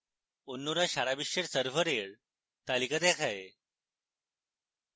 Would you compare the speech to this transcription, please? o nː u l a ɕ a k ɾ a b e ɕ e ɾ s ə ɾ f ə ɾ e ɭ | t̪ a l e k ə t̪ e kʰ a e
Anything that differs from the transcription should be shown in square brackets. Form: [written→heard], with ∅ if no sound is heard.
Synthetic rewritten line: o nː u [l→ɾ] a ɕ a [k→∅] ɾ a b [e→i] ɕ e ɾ s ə ɾ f ə ɾ e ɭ | t̪ a l [e→i] k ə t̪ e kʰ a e

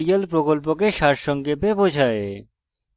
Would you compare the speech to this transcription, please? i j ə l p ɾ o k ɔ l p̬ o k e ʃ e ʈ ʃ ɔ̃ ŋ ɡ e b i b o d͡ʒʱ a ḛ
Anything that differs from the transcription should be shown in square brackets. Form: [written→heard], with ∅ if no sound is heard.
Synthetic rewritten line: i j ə l p ɾ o k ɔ l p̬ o k e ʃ [e→a] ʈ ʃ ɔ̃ ŋ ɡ e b [i→e] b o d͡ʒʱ a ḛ

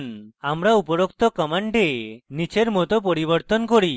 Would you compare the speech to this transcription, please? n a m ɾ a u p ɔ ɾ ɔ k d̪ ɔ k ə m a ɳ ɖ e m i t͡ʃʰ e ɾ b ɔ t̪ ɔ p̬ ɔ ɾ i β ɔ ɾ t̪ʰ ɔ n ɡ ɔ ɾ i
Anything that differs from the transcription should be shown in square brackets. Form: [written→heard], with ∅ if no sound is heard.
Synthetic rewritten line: n a m ɾ a u p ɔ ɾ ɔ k [d̪→t̪] ɔ k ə m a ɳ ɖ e [m→n] i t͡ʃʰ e ɾ [b→m] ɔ t̪ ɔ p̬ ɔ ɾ i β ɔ ɾ [t̪ʰ→t̪] ɔ n [ɡ→k] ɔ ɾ i

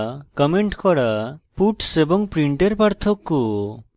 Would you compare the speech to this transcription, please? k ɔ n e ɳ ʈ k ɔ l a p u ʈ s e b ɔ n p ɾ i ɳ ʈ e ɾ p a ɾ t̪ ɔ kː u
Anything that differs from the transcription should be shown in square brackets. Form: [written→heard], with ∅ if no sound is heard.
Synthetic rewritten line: k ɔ [n→m] e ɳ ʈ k ɔ [l→ɽ] a p u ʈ s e b ɔ [n→ŋ] p ɾ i ɳ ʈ e ɾ p a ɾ [t̪→t̪ʰ] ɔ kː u

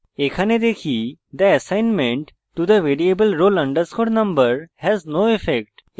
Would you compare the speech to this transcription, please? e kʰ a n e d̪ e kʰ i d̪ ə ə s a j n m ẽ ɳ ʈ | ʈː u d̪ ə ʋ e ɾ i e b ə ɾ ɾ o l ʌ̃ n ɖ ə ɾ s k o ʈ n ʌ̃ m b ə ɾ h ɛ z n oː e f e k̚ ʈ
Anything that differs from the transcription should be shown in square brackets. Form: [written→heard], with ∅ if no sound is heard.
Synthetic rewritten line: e kʰ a n e d̪ e kʰ i d̪ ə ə s a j n m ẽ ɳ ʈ | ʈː u d̪ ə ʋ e ɾ i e b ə [ɾ→l] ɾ o l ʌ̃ [n→ɳ] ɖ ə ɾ s k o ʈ n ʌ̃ m b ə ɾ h ɛ z n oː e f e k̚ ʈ

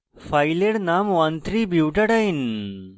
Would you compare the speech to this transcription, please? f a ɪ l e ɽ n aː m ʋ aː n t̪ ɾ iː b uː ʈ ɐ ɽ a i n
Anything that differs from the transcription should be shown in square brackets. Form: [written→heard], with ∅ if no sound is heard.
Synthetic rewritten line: f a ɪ l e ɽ n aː m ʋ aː n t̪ ɾ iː b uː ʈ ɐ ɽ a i n

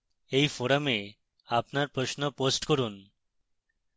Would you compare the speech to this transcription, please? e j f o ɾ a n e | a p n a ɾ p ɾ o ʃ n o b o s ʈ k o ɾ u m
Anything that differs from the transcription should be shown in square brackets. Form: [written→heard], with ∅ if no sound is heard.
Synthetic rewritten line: e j f o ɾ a [n→m] e | a p n a ɾ p ɾ o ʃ n o [b→p] o s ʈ k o ɾ u [m→n]

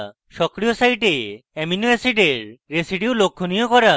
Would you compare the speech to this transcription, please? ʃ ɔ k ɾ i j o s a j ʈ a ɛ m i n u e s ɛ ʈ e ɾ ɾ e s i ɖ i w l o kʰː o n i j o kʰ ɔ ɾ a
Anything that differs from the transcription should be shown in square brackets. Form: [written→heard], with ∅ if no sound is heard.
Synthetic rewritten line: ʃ ɔ k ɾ i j o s a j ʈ [a→e] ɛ m i n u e s [ɛ→i] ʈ e ɾ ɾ e s i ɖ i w l o kʰː o n i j o [kʰ→k] ɔ ɾ a

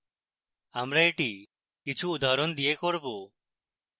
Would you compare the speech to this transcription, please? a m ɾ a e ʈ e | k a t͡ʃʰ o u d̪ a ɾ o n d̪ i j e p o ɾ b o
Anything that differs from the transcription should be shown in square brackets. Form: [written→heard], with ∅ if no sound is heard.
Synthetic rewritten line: a m ɾ a e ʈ [e→i] | k [a→i] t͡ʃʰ [o→u] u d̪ a ɾ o n d̪ i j e [p→k] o ɾ b o

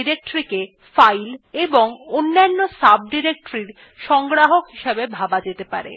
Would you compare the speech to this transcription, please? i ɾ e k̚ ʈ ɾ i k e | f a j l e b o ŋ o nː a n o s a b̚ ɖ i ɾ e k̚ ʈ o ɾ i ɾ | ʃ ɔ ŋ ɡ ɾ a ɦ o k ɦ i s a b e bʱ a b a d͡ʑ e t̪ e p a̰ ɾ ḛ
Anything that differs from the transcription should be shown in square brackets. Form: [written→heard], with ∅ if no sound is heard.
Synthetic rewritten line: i ɾ e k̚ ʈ ɾ i k e | f a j l e b o ŋ o nː a [n→nː] o s a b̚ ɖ i ɾ e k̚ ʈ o ɾ i ɾ | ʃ ɔ ŋ ɡ ɾ a ɦ o k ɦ i [s→ʃ] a b e bʱ a b a d͡ʑ e t̪ e p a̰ ɾ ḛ

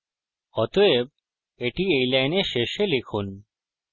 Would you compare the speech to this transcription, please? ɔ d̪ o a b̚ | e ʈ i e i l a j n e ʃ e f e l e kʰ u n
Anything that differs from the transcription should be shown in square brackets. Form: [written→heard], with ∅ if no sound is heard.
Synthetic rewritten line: ɔ [d̪→t̪] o [a→e] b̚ | e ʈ i e [i→j] l a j n e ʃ e [f→ʃ] e l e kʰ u n

